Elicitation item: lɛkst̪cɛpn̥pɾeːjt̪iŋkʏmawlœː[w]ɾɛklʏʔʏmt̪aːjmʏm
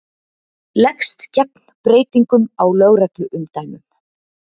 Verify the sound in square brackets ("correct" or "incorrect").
incorrect